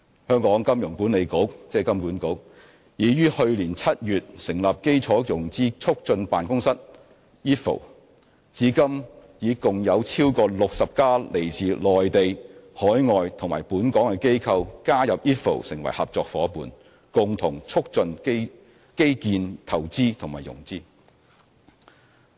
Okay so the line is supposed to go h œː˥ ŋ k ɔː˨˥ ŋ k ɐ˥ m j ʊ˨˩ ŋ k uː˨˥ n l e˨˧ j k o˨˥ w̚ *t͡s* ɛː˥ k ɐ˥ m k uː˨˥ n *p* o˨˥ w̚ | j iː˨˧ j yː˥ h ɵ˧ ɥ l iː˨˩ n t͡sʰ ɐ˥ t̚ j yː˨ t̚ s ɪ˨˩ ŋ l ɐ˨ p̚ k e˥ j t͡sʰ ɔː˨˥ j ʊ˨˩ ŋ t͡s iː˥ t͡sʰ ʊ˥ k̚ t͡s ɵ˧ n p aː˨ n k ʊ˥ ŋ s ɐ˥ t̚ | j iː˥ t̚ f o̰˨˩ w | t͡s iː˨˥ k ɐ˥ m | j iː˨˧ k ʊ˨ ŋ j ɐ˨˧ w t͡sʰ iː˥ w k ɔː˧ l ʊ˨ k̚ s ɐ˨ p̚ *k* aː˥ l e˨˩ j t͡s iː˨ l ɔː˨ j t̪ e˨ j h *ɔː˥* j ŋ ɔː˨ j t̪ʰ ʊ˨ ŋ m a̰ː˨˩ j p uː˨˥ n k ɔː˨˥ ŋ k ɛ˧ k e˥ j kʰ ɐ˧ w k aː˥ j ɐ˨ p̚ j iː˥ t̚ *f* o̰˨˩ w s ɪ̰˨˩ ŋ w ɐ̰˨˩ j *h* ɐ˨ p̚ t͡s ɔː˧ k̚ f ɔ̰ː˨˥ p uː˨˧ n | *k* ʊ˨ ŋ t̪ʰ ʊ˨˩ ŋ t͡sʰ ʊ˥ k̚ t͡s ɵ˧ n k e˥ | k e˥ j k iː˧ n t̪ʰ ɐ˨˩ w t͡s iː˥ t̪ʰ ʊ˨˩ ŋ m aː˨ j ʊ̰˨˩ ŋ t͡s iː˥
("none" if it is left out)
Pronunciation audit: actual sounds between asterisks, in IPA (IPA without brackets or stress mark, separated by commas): t͡s, k, k, ɔː˨˥, f, h, k